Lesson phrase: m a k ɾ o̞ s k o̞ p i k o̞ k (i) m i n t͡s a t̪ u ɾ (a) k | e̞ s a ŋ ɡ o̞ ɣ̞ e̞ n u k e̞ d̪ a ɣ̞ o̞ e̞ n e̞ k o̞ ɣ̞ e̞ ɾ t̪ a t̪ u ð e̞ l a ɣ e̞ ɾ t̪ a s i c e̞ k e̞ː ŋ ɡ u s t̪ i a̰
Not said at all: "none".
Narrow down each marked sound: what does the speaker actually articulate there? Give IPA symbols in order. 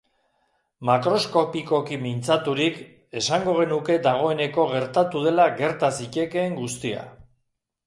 i, i

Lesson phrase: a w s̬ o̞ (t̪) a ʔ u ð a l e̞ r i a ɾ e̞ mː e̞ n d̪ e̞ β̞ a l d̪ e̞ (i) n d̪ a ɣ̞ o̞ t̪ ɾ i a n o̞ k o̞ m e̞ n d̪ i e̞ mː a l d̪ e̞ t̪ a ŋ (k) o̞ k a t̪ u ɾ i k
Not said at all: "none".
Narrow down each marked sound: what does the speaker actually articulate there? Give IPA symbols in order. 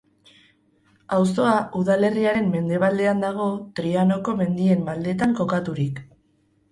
none, a, k

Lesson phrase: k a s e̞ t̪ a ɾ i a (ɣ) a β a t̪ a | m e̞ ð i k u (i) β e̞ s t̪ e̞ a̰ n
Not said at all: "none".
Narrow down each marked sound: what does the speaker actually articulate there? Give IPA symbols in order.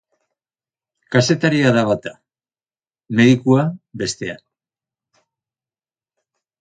ð, a

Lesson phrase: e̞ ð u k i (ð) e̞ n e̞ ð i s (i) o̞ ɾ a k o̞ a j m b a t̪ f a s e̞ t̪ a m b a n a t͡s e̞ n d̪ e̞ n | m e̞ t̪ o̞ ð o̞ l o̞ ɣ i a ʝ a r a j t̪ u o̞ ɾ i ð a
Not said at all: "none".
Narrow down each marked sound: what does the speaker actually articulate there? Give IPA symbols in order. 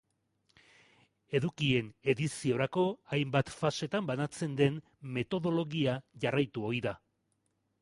none, i

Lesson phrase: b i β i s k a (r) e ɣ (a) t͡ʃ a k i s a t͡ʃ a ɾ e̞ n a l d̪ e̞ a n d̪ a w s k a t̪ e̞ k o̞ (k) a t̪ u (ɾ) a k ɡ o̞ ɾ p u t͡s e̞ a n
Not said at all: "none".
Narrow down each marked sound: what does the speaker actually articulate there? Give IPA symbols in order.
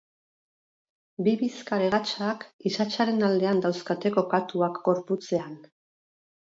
ɾ, a, k, none

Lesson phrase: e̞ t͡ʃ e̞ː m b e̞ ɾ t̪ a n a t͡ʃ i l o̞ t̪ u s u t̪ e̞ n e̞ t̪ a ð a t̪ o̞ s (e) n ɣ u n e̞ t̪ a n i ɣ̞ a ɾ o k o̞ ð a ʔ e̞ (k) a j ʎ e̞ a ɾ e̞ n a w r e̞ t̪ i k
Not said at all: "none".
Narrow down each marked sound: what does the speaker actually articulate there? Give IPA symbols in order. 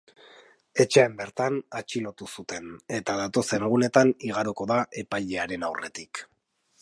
e, p

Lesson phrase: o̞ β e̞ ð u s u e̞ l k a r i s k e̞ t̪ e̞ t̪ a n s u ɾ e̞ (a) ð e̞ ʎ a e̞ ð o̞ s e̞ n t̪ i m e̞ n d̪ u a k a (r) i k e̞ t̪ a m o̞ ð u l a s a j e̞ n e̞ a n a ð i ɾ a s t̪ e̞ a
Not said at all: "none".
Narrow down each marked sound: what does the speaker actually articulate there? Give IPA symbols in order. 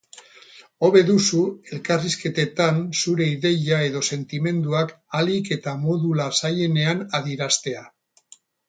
i, l

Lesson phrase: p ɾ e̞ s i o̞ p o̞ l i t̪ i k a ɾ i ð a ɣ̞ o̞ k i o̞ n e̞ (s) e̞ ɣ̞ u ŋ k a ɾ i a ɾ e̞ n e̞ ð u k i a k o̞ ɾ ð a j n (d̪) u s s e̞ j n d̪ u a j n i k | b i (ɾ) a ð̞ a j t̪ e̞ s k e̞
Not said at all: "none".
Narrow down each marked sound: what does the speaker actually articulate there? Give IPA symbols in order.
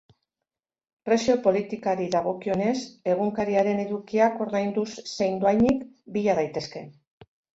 s, d̪, ʎ

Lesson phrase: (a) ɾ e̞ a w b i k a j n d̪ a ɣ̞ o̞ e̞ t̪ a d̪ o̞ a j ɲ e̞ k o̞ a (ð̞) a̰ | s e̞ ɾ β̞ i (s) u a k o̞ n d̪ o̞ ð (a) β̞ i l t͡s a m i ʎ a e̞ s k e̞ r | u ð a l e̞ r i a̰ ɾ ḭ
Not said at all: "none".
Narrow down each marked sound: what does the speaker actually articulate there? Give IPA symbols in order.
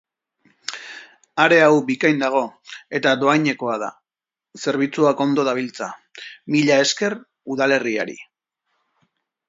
a, ð̞, t͡s, a

